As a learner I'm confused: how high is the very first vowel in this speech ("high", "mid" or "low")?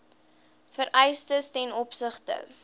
mid